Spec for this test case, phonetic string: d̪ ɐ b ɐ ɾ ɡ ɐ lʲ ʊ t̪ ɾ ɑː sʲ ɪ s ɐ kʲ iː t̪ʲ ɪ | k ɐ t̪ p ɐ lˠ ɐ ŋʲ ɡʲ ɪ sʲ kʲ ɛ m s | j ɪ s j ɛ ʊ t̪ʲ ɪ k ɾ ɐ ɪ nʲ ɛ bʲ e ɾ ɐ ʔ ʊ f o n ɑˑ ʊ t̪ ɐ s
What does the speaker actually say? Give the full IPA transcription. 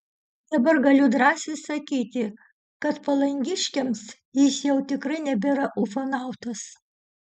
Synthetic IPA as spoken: d̪ ɐ b ɐ ɾ ɡ ɐ lʲ ʊ d̪ ɾ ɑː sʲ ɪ s ɐ kʲ iː t̪ʲ ɪ | k ɐ t̪ p ɐ lˠ ɐ ŋʲ ɡʲ ɪ ʃʲ kʲ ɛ m s | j ɪ s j ɛ ʊ t̪ʲ ɪ k ɾ ɐ ɪ nʲ ɛ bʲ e ɾ ɐ ʔ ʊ f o n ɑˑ ʊ t̪ ɐ s